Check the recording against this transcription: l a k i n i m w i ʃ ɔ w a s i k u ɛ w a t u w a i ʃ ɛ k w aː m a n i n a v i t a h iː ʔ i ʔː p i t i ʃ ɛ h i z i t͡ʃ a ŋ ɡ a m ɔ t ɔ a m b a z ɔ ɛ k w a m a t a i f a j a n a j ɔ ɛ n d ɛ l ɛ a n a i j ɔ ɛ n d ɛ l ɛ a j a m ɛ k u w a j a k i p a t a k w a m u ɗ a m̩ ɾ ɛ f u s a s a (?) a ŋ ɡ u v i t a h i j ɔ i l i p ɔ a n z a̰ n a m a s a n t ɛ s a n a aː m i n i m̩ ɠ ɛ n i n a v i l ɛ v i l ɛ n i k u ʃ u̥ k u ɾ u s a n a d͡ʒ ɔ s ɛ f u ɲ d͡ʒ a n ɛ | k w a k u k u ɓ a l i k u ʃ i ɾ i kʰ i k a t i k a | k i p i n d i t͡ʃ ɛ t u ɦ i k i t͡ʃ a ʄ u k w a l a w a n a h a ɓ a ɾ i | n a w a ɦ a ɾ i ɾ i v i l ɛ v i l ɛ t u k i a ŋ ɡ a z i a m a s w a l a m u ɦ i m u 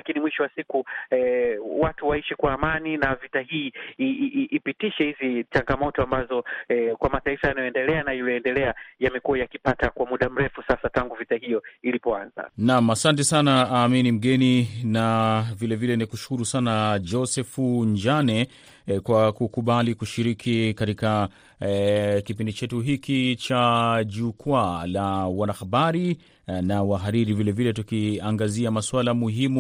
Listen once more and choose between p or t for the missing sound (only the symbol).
t